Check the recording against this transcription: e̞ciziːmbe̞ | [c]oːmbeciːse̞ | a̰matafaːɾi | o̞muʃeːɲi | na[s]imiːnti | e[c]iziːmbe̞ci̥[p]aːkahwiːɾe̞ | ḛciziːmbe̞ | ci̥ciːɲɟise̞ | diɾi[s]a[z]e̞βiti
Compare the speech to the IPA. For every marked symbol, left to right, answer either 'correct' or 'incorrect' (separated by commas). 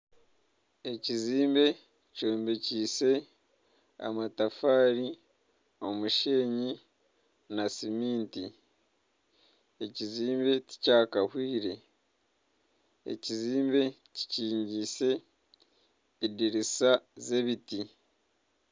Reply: correct, correct, correct, incorrect, correct, correct